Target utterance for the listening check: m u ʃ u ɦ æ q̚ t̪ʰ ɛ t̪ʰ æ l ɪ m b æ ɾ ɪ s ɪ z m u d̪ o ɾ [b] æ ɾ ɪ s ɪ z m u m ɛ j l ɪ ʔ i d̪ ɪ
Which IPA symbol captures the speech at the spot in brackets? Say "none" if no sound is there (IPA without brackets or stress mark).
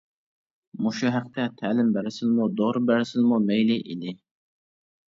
b